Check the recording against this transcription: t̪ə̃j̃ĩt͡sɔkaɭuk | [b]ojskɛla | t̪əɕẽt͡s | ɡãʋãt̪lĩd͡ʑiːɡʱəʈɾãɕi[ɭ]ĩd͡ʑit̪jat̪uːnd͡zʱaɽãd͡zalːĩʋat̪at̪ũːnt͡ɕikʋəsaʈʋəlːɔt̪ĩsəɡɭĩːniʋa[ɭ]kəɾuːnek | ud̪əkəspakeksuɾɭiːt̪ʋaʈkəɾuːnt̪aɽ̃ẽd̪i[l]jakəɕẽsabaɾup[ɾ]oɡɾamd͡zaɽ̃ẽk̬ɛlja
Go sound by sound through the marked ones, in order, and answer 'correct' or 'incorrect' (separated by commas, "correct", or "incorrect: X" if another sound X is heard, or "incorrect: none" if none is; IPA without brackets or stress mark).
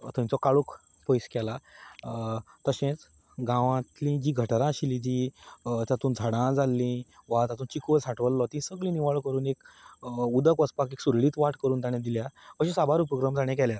incorrect: p, incorrect: l, correct, correct, correct